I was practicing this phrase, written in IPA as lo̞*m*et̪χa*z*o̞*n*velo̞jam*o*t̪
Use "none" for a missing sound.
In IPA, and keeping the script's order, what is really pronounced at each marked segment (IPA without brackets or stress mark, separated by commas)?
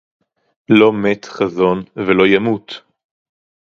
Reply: m, z, n, u